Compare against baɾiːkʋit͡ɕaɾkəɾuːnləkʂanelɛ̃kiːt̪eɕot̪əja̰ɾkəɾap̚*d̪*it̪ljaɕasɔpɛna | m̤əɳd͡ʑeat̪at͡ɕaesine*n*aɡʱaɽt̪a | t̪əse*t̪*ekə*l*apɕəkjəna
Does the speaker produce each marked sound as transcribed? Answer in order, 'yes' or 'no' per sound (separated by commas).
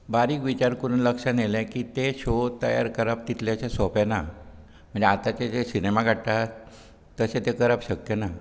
no, no, yes, no